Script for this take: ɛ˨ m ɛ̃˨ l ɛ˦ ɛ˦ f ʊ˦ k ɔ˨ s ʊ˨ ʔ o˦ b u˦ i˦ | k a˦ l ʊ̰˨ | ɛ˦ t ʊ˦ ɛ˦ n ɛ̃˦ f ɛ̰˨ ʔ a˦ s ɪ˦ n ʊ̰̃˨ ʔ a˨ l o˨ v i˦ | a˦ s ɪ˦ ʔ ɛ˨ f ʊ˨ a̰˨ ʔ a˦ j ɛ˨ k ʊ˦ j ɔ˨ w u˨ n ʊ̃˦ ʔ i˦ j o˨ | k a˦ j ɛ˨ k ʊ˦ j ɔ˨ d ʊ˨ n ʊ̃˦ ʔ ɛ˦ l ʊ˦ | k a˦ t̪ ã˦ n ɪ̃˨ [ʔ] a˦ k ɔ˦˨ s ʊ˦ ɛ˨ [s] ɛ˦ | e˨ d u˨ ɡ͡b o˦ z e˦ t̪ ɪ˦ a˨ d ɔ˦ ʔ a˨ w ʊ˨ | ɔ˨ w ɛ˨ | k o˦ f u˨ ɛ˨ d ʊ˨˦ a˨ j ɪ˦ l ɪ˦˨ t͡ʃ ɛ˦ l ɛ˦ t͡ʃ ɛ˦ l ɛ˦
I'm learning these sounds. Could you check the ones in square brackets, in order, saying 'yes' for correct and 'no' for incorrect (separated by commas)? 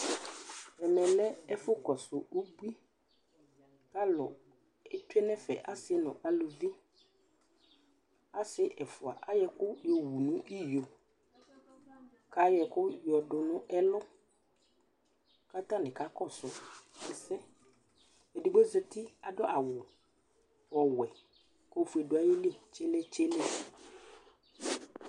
no, yes